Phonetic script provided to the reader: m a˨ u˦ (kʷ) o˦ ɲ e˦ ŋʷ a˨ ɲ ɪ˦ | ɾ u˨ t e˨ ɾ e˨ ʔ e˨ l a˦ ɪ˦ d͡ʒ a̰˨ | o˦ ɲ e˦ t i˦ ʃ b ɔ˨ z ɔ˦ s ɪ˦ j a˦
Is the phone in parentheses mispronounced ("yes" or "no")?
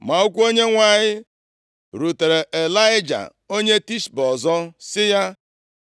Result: no